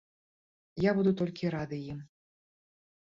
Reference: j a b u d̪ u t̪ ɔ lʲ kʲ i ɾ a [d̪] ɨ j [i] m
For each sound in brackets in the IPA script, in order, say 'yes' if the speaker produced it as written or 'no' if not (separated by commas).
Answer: yes, yes